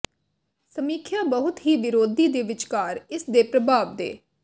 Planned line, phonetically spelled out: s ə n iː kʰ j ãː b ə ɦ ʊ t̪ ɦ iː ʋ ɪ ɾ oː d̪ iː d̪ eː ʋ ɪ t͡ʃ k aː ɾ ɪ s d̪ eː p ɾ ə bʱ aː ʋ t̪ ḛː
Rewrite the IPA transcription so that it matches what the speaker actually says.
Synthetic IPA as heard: s ə m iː kʰ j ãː b ə ɦ ʊ t̪ ɦ iː ʋ ɪ ɾ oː d̪ iː d̪ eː ʋ ɪ t͡ʃ k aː ɾ ɪ s d̪ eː p ɾ ə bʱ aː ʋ d̪ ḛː

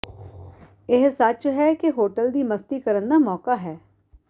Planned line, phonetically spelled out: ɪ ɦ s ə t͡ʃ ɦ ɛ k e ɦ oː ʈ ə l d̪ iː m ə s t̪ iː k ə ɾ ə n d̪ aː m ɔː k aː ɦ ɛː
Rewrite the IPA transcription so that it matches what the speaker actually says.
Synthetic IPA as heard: ɪ ɦ s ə t͡ʃ ɦ ɛ k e ɦ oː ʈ ə l d̪ iː m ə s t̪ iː k ə ɾ ə n d̪ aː m ɔː k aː ɦ ɛː

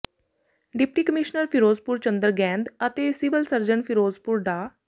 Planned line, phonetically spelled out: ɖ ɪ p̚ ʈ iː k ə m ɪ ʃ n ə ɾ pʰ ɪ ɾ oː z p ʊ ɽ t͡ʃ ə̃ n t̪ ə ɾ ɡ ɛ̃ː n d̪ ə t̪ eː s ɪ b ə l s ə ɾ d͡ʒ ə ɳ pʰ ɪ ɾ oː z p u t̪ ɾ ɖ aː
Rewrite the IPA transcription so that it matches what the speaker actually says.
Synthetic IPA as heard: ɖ ɪ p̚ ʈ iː k ə m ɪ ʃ n ə ɾ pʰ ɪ ɾ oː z p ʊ ɾ t͡ʃ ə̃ n d̪ ə ɾ ɡ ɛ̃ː n d̪ ə t̪ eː s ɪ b ə l s ə ɾ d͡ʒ ə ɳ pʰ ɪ ɾ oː z p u ɾ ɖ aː

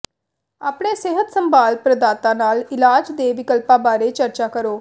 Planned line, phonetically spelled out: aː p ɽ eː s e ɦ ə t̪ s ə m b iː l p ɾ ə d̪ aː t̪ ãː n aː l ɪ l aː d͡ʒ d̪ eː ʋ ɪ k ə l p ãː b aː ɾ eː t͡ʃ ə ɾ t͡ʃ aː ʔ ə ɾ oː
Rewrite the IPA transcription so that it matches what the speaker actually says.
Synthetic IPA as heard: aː p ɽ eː s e ɦ ə t̪ s ə m b aː l p ɾ ə d̪ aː t̪ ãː n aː l ɪ l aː d͡ʒ d̪ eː ʋ ɪ k ə l p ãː b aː ɾ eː t͡ʃ ə ɾ t͡ʃ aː k ə ɾ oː

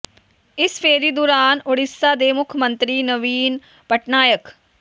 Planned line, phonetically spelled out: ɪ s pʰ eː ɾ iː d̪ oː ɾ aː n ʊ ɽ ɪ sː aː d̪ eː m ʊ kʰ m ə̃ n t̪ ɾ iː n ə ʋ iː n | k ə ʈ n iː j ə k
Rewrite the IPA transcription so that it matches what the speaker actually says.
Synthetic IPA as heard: ɪ s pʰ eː ɾ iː d̪ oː ɾ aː n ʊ ɽ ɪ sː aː d̪ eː m ʊ kʰ m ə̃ n t̪ ɾ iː n ə ʋ iː n | p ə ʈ n aː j ə k

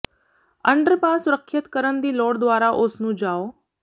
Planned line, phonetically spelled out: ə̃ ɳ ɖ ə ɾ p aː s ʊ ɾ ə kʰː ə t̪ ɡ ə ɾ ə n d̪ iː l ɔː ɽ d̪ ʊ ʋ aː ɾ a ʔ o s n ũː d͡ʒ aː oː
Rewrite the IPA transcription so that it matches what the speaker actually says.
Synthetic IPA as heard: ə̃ ɳ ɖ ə ɾ p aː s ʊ ɾ ə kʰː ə t̪ k ə ɾ ə n d̪ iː l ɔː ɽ d̪ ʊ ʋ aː ɾ a ʔ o s n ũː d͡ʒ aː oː

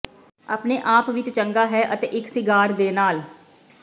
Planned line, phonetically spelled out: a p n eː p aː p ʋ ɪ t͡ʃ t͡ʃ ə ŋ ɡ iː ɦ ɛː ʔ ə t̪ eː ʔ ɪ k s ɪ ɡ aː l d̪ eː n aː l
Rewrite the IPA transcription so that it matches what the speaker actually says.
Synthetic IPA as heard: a p n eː ʔ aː p ʋ ɪ t͡ʃ t͡ʃ ə ŋ ɡ aː ɦ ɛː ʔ ə t̪ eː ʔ ɪ k s ɪ ɡ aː ɾ d̪ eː n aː l

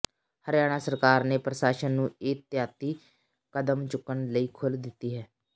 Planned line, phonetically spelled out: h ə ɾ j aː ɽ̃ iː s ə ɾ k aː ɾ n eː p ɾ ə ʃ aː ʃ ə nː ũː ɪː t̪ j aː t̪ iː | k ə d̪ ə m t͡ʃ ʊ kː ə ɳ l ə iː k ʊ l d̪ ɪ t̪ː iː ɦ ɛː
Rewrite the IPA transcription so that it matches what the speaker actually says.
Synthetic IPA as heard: h ə ɾ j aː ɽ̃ aː s ə ɾ k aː ɾ n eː p ɾ ə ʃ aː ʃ ə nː ũː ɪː t̪ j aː t̪ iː | k ə d̪ ə m t͡ʃ ʊ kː ə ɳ l ə iː kʰ ʊ l d̪ ɪ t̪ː iː ɦ ɛː

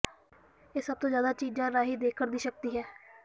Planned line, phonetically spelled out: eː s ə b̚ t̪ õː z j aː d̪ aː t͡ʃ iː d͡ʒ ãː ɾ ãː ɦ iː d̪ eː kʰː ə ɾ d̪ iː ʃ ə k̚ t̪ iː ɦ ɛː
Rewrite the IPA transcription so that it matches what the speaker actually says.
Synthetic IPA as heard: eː s ə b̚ t̪ õː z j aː d̪ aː t͡ʃ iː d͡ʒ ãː ɾ aː ɦ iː d̪ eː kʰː ə ɾ d̪ iː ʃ ə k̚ t̪ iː ɦ ɛː

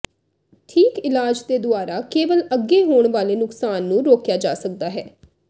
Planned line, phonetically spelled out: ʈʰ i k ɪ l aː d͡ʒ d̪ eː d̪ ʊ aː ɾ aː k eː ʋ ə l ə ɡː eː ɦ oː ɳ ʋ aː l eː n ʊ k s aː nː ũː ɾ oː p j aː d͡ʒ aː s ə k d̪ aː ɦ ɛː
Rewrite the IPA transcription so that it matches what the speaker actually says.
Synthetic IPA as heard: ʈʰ iː k ɪ l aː d͡ʒ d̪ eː d̪ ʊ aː ɾ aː k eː ʋ ə l ə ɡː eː ɦ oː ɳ ʋ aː l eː n ʊ k s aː nː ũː ɾ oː k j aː d͡ʒ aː s ə k d̪ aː ɦ ɛː

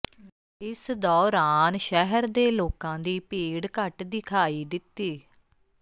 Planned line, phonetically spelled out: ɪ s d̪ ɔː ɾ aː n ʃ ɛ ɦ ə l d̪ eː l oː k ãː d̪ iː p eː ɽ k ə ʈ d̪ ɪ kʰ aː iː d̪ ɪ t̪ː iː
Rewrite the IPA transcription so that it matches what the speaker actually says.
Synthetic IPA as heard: ɪ s d̪ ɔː ɾ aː n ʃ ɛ ɦ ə ɾ d̪ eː l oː k ãː d̪ iː p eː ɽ k ə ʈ d̪ ɪ kʰ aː iː d̪ ɪ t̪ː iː

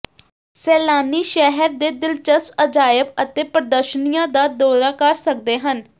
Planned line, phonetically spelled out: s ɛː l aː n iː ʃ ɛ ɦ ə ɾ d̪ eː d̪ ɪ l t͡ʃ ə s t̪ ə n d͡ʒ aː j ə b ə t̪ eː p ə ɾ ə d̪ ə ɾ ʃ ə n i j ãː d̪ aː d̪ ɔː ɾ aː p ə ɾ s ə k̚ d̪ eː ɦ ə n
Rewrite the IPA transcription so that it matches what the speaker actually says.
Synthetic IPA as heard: s ɛː l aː n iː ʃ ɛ ɦ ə ɾ d̪ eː d̪ ɪ l t͡ʃ ə s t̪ ə d͡ʒ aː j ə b ə t̪ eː p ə ɾ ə d̪ ə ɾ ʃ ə n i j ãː d̪ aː d̪ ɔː ɾ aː k ə ɾ s ə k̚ d̪ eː ɦ ə n

